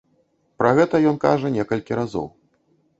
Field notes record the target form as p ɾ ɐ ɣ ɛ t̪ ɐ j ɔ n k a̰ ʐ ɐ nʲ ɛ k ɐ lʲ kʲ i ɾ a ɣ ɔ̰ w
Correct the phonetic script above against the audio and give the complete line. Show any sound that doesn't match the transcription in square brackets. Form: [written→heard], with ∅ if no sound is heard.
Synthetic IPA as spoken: p ɾ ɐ ɣ ɛ t̪ ɐ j ɔ n k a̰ ʐ ɐ nʲ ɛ k ɐ lʲ kʲ i ɾ a [ɣ→z] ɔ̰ w